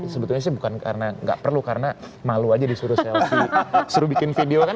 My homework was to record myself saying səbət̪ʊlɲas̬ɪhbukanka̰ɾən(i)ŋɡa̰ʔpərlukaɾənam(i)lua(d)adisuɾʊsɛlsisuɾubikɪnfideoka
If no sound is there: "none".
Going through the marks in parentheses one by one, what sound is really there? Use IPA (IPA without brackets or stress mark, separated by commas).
a, a, d͡ʒ